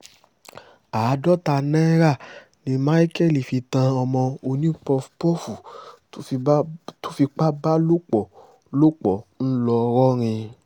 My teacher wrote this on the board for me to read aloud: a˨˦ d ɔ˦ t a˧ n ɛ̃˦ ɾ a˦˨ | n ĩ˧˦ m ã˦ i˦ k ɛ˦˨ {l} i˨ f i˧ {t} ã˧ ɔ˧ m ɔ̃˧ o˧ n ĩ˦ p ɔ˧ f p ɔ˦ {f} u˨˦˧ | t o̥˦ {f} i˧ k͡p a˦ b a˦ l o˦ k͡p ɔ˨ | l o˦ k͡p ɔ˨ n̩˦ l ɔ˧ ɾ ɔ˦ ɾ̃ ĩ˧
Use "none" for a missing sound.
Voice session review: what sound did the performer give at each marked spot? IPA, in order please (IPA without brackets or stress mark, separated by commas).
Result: l, t, f, f